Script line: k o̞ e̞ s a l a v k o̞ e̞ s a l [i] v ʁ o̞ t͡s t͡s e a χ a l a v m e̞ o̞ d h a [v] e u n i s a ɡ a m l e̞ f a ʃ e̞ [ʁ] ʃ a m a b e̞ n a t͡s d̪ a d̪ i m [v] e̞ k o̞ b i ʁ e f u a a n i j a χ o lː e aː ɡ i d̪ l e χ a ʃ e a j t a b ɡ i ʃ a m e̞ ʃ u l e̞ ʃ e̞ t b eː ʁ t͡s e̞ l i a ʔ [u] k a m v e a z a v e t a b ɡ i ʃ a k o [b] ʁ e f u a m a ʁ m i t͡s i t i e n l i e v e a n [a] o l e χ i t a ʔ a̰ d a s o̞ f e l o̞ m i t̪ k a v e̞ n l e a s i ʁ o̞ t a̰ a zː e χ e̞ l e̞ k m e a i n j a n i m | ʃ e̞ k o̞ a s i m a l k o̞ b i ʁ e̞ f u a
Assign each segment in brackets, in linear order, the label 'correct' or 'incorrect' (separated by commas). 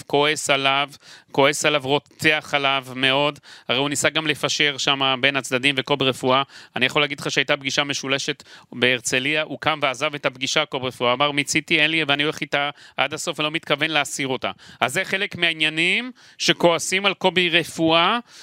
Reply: incorrect, incorrect, correct, correct, correct, correct, incorrect